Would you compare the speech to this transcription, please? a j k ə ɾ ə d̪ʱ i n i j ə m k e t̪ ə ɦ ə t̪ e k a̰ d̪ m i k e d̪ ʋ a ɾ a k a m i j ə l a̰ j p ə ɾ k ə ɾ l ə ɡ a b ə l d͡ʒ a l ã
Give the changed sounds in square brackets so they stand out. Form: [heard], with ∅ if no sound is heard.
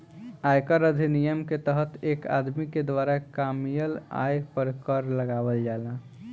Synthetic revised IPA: a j k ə ɾ ə d̪ʱ i n i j ə m k e t̪ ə ɦ ə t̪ e k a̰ d̪ m i k e d̪ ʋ a ɾ a k a m i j ə l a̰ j p ə ɾ k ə ɾ l ə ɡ a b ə l d͡ʒ a l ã